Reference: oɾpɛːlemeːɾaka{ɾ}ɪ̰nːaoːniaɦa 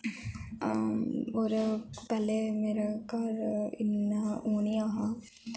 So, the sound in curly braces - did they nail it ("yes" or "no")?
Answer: yes